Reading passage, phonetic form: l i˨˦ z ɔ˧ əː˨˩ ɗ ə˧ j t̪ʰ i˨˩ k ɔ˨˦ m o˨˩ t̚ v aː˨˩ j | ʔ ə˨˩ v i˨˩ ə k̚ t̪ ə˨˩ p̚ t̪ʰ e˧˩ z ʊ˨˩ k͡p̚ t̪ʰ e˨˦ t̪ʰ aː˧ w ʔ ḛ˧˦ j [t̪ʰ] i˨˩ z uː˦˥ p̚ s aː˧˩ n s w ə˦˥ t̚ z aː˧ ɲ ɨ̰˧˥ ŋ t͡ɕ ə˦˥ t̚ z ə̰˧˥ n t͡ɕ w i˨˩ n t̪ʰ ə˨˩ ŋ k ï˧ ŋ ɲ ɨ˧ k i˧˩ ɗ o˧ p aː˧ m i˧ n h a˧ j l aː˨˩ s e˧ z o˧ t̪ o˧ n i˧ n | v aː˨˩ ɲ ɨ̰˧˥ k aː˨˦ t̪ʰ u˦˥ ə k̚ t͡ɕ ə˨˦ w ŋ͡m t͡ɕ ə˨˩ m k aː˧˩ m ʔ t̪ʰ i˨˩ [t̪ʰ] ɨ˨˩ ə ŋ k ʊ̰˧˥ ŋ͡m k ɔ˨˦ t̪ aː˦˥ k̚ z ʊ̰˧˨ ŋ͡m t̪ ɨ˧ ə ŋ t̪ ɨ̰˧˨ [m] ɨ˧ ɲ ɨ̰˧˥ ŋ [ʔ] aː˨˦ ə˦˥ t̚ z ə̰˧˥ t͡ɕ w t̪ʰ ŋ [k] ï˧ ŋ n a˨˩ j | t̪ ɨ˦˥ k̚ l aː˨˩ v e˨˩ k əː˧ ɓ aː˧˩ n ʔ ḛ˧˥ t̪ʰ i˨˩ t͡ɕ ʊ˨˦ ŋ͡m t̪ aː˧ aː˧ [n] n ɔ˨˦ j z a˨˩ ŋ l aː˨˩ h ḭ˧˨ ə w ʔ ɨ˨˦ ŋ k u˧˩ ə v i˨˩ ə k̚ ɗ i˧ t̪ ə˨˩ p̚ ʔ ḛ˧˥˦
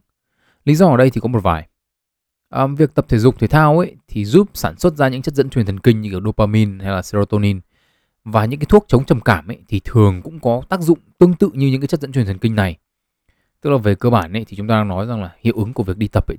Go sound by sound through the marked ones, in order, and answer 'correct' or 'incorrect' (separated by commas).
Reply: correct, correct, incorrect, incorrect, correct, incorrect